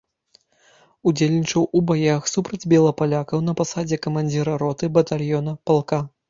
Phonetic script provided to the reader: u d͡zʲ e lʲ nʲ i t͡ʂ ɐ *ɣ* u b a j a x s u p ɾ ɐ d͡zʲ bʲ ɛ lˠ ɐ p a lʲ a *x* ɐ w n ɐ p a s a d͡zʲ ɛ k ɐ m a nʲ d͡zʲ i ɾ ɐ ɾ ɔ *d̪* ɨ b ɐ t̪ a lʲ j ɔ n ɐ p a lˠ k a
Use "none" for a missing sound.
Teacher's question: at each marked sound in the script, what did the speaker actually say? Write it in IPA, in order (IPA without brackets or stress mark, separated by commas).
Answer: w, k, t̪